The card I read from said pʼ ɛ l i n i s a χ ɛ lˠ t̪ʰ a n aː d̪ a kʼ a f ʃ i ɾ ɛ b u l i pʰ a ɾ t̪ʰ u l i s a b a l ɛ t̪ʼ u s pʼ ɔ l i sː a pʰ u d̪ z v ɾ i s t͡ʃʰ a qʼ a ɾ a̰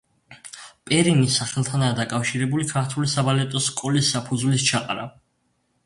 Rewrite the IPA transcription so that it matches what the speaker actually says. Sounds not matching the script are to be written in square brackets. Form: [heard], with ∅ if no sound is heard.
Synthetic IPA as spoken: pʼ ɛ [ɾ] i n i s a χ ɛ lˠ t̪ʰ a n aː d̪ a kʼ a f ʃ i ɾ ɛ b u l i [kʰ] a ɾ t̪ʰ u l i s a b a l ɛ t̪ʼ [ɔ] s [kʼ] ɔ l i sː a pʰ u d̪ z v [l] i s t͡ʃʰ a qʼ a ɾ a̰